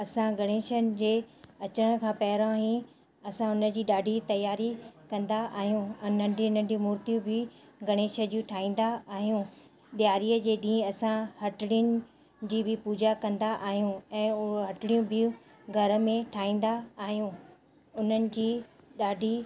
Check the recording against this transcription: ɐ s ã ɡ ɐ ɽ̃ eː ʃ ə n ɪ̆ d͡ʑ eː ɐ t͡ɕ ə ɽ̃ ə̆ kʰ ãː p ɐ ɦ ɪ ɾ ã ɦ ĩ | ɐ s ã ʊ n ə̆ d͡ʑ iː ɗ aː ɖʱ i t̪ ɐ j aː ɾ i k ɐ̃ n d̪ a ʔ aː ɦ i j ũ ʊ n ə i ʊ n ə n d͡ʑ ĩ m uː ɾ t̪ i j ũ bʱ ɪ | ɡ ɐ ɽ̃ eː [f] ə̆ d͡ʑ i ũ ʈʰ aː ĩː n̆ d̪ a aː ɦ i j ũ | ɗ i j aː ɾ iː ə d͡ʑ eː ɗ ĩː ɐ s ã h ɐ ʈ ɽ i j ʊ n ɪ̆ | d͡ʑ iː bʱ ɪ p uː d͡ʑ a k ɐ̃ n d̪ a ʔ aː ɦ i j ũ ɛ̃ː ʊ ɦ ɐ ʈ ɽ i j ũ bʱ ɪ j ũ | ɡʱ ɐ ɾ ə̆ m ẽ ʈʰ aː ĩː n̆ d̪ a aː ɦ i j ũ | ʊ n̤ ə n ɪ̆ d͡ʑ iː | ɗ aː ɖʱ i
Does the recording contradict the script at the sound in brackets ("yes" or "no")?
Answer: yes